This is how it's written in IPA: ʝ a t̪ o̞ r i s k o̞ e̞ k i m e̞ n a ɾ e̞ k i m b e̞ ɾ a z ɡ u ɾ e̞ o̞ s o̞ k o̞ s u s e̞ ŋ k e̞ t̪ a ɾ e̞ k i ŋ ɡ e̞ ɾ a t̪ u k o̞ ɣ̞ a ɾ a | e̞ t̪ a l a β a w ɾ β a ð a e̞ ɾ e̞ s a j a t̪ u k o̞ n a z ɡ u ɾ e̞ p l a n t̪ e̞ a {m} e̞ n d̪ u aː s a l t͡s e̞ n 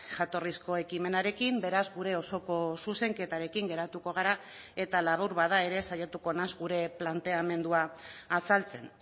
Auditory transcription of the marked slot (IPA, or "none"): m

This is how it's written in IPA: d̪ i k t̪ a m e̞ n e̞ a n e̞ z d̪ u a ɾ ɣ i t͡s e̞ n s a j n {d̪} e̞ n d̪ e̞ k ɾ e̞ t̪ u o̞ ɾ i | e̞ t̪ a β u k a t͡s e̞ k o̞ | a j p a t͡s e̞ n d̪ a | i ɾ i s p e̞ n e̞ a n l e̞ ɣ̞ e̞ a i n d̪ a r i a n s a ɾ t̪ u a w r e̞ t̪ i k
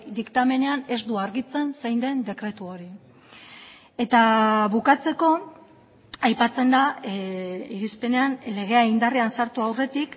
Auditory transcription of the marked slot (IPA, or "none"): d̪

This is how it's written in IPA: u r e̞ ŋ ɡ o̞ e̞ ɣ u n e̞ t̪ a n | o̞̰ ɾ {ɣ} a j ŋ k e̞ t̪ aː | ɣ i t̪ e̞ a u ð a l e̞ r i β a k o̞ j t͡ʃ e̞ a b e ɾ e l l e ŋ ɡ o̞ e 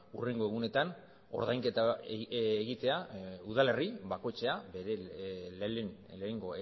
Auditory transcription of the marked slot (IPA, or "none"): ð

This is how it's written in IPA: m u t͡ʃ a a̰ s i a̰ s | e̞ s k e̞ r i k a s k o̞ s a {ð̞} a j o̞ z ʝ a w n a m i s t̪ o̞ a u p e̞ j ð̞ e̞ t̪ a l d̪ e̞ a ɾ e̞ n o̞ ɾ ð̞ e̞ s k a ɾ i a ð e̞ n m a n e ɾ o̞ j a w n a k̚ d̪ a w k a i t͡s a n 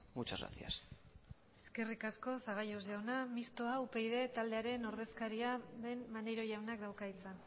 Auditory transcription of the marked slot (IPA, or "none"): ɣ̞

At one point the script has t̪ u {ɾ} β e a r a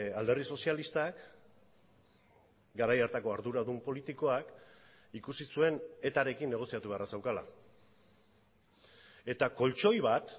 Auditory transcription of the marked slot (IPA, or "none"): none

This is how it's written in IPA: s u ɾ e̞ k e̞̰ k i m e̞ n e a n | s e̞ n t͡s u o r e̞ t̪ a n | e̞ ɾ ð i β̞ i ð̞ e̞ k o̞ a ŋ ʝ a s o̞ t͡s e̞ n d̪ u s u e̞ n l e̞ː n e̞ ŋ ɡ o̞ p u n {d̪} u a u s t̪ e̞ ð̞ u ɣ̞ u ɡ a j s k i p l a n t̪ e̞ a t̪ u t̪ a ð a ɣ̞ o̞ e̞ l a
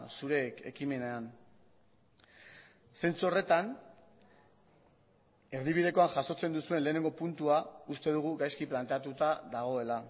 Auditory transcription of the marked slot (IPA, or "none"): t̪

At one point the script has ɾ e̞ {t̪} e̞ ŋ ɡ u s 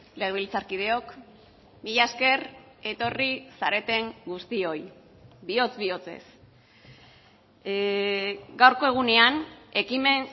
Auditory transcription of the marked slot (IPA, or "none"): t̪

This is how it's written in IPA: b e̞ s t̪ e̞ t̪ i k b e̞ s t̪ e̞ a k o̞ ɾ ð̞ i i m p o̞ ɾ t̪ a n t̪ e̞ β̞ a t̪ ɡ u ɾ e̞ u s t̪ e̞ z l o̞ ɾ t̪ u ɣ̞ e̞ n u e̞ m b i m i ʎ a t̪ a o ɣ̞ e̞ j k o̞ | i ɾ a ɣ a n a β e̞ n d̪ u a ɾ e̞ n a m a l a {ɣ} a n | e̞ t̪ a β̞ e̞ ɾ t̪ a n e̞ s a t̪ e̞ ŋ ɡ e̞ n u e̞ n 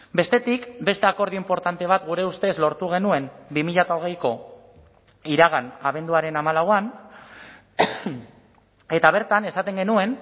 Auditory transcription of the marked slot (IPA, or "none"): w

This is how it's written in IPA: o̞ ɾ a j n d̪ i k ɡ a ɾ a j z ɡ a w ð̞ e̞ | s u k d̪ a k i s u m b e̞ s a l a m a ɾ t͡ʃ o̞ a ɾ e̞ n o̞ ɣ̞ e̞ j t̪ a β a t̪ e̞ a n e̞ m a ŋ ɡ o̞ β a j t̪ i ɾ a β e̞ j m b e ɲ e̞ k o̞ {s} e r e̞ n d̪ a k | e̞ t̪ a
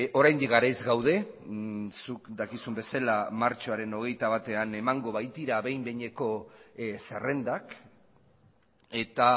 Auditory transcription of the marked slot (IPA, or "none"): s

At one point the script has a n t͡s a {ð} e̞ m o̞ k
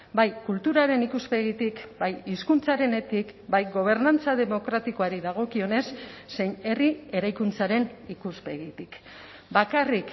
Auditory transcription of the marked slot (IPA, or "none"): ð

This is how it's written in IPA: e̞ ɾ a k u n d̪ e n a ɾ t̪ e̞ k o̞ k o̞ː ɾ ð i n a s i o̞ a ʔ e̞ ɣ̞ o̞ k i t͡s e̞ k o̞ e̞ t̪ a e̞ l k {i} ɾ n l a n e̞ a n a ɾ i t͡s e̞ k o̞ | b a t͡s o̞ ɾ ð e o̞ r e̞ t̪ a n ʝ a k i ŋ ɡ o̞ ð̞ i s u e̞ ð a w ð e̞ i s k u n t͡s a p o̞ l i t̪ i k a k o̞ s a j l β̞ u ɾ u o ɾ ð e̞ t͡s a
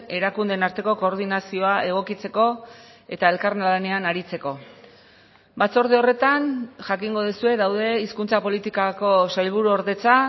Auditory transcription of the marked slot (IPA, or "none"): a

